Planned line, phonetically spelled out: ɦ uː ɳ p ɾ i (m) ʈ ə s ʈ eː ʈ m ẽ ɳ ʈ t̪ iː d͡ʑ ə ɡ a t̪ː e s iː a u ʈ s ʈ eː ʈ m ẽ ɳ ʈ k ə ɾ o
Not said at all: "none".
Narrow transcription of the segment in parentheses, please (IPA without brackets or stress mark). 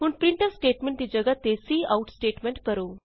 ɳ